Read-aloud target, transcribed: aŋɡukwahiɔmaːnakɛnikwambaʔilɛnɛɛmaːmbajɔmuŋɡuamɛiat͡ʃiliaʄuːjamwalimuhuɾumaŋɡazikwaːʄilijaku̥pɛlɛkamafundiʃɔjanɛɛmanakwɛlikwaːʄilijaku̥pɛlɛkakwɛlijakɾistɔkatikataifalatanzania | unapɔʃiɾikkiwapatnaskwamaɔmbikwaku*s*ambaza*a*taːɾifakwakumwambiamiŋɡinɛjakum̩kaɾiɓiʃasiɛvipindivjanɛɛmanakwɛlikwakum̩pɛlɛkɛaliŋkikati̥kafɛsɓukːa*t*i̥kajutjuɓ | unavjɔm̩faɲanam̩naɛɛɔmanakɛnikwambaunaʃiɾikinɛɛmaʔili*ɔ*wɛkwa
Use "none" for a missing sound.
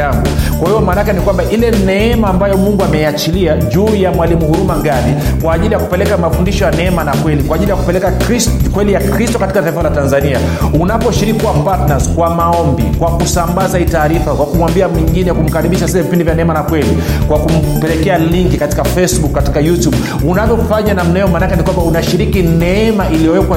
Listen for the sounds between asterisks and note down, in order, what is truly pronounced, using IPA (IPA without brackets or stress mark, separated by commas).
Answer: s, i, t, ɔ